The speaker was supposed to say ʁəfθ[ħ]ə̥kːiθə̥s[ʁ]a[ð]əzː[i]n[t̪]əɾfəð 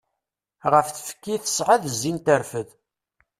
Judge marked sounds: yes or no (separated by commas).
no, no, yes, yes, yes